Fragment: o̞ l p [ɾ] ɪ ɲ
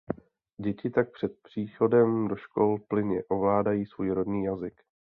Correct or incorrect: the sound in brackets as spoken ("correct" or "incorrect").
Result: incorrect